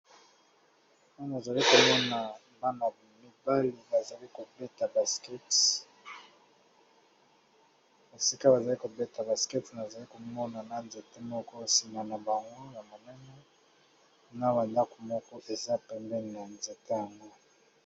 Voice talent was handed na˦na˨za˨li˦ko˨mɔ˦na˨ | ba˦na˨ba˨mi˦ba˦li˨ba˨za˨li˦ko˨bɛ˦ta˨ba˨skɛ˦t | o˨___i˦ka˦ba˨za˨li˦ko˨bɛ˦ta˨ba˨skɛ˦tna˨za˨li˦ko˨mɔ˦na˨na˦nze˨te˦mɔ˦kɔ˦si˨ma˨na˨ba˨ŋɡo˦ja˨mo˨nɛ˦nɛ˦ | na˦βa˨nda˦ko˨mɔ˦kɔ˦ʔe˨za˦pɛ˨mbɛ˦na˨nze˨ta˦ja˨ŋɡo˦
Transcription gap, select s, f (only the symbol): s